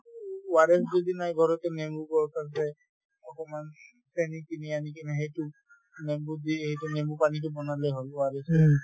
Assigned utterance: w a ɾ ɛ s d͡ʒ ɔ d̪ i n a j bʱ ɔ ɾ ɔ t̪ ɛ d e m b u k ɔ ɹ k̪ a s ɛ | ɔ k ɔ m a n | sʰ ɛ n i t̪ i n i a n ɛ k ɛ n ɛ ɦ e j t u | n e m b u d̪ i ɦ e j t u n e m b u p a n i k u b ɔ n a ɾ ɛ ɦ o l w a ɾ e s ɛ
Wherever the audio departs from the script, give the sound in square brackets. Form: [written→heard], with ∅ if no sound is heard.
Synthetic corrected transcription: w a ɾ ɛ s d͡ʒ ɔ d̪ i n a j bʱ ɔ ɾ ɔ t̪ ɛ [d→n] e m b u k ɔ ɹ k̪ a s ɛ | ɔ k ɔ m a n | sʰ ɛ n i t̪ i n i a n [ɛ→i] k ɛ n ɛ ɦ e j t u | n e m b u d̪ i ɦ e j t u n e m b u p a n i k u b ɔ n a [ɾ→l] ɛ ɦ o l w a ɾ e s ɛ

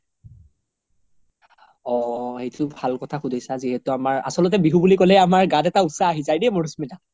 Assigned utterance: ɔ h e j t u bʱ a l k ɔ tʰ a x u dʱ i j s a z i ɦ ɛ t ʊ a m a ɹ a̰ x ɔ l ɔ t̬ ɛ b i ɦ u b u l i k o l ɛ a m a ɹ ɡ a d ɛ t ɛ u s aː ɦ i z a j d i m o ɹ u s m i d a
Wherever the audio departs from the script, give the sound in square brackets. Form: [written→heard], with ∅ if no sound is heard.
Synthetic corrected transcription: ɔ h e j t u bʱ a l k ɔ tʰ a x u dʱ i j s a z i ɦ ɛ t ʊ a m a ɹ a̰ [x→s] ɔ l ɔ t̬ ɛ b i ɦ u b u l i k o l ɛ a m a ɹ ɡ a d ɛ t [ɛ→a] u s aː ɦ i z a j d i m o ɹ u s m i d a

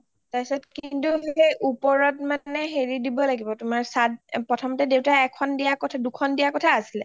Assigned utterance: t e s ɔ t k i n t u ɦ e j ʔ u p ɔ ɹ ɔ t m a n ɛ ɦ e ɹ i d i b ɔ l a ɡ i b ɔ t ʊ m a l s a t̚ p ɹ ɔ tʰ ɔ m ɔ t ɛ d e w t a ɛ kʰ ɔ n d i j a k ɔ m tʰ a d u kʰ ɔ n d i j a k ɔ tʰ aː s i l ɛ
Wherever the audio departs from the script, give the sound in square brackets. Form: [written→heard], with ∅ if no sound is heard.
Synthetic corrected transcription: t [e→a] s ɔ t k i n t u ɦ e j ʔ u p ɔ ɹ ɔ t m a n ɛ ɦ e ɹ i d i b ɔ l a ɡ i b ɔ t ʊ m a [l→ɹ] s a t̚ p ɹ ɔ tʰ ɔ m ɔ t ɛ d e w t a ɛ kʰ ɔ n d i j a k ɔ [m→∅] tʰ a d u kʰ ɔ n d i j a k ɔ tʰ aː s i l ɛ

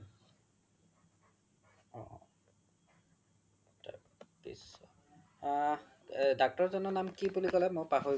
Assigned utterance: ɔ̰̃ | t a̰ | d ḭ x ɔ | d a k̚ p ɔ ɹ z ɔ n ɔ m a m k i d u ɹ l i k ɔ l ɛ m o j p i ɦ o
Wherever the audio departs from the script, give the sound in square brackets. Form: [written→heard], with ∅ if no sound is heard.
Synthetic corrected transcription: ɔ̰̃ | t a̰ | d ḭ [x→s] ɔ | d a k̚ [p→t] ɔ ɹ z ɔ n ɔ [m→n] a m k i [d→b] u [ɹ→∅] l i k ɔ l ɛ m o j p [i→a] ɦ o

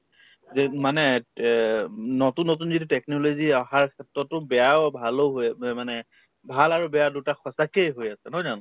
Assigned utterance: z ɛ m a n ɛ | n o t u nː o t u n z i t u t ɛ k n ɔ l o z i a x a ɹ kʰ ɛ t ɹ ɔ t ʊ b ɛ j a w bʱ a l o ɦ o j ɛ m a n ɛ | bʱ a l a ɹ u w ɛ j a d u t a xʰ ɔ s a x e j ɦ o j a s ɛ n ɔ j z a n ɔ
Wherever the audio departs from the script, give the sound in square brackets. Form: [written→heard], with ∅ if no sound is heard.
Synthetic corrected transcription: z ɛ m a n ɛ | n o t u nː o t u n z i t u t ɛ k n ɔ l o z i a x a ɹ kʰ ɛ t ɹ ɔ t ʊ b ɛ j a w bʱ a l o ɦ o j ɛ m a n ɛ | bʱ a l a ɹ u [w→b] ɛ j a d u t a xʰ ɔ s a [x→k] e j ɦ o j a s ɛ n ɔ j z a n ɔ

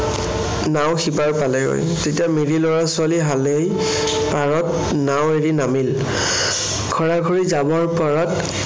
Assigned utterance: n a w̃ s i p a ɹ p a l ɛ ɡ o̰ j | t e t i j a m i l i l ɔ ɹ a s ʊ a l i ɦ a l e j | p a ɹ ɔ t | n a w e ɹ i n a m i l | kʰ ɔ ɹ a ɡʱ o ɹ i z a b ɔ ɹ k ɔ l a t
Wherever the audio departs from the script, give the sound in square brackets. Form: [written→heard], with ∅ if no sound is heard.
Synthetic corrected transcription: n a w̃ [s→x] i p a ɹ p a l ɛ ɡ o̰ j | t e t i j a m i [l→ɹ] i l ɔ ɹ a s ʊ a l i ɦ a l e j | p a ɹ ɔ t | n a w e ɹ i n a m i l | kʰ ɔ ɹ a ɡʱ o ɹ i z a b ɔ ɹ [k→p] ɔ [l→ɹ] a t

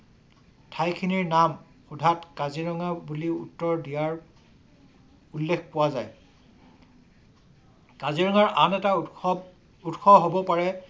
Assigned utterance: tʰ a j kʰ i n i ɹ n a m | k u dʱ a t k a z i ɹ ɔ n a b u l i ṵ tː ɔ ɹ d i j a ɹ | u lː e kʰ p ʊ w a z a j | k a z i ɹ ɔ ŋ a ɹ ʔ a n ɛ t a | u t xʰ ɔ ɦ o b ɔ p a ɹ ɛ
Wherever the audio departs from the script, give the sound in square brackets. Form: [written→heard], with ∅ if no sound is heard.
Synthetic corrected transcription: tʰ a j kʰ i n i ɹ n a m | [k→x] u dʱ a t k a z i ɹ ɔ [n→ŋ] a b u l i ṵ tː ɔ ɹ d i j a ɹ | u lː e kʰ p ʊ w a z a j | k a z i ɹ ɔ ŋ a ɹ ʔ a n ɛ t a | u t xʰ ɔ ɦ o b ɔ p a ɹ ɛ

